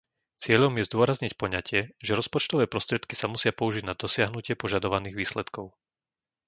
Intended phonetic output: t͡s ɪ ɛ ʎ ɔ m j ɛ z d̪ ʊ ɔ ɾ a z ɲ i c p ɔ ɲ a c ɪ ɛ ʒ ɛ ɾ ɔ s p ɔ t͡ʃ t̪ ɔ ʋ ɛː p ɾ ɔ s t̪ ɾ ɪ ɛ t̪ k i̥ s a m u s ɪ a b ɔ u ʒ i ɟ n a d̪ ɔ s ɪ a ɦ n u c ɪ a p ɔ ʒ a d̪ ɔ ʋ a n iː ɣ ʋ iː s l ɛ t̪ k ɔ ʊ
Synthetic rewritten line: t͡s ɪ ɛ ʎ ɔ m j ɛ z d̪ ʊ ɔ ɾ a z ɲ i c p ɔ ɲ a c ɪ ɛ ʒ ɛ ɾ ɔ s p ɔ t͡ʃ t̪ ɔ ʋ ɛː p ɾ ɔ s t̪ ɾ ɪ ɛ t̪ k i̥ s a m u s ɪ a p ɔ u ʒ i ɟ n a d̪ ɔ s ɪ a ɦ n u c ɪ ɛ p ɔ ʒ a d̪ ɔ ʋ a n iː ɣ ʋ iː s l ɛ t̪ k ɔ ʊ